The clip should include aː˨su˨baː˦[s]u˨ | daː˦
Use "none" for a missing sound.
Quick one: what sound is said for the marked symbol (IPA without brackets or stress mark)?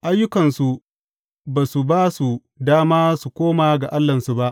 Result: s